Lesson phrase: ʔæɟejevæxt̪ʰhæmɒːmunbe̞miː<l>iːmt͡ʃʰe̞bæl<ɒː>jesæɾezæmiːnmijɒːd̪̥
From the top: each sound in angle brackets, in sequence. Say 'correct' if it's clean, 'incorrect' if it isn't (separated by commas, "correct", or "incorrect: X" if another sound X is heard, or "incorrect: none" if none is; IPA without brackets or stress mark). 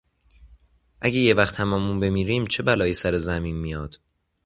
incorrect: ɾ, correct